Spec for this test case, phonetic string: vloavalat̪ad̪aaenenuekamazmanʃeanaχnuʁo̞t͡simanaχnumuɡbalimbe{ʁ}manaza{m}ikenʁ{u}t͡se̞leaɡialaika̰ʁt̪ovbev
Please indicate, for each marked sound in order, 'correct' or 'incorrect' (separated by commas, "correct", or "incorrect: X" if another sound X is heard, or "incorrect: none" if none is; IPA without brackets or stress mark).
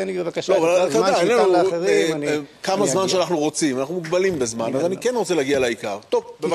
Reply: incorrect: z, incorrect: n, incorrect: o